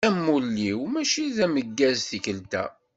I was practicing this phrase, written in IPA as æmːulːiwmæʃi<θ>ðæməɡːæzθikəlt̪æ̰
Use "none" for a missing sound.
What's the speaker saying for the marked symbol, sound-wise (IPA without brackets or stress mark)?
none